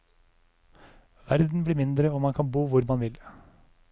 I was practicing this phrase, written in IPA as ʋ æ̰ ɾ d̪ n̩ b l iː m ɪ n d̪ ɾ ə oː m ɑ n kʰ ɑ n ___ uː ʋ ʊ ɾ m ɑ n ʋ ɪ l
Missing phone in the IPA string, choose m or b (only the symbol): b